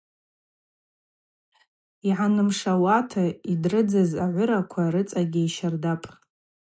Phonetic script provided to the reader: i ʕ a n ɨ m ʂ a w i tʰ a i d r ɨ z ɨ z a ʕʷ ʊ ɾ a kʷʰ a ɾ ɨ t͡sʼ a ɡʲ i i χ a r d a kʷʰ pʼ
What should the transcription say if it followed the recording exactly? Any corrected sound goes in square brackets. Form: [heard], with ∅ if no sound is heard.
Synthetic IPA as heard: i ʕ a n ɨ m ʂ a w [a] tʰ a i d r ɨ [d͡z] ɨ z a ʕʷ ʊ ɾ a kʷʰ a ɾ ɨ t͡sʼ a ɡʲ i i [ʃ] a r d a [∅] pʼ